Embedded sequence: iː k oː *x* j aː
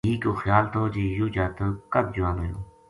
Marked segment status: correct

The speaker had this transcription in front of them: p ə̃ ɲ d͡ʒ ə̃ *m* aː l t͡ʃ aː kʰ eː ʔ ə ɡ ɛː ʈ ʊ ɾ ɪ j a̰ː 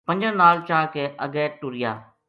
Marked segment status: incorrect: n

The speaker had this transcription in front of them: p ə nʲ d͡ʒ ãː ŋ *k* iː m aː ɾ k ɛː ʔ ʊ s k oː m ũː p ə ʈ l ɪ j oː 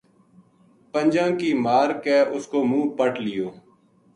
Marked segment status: correct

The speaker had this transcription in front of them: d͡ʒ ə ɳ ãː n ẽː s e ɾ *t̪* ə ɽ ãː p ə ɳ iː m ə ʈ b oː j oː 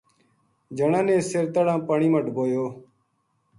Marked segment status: correct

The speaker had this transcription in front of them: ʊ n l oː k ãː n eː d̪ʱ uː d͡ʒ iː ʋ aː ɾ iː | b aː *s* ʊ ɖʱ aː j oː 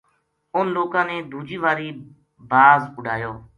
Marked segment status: incorrect: z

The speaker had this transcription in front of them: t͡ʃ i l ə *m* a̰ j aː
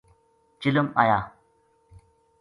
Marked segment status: correct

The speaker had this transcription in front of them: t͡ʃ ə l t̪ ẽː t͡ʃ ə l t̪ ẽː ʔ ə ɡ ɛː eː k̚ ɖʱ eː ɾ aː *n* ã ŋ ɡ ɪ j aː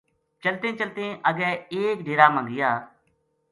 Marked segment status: incorrect: m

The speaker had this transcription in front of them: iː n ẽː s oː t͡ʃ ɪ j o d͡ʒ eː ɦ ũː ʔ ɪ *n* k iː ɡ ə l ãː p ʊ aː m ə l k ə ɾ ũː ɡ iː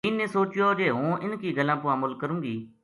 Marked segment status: correct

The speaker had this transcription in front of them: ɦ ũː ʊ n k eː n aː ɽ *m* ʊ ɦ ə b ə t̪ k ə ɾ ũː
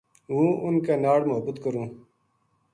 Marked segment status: correct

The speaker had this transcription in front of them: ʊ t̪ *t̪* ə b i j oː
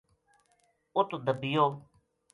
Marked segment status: incorrect: d̪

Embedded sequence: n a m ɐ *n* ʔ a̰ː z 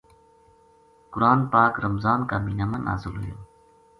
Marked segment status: correct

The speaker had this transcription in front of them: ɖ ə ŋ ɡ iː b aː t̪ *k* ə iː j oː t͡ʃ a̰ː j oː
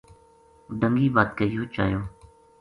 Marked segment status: correct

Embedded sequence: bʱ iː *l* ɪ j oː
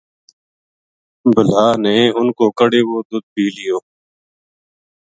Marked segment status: correct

